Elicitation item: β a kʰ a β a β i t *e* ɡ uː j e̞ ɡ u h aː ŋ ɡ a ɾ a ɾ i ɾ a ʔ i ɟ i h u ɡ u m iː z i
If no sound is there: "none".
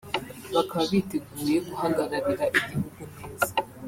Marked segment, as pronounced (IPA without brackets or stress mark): e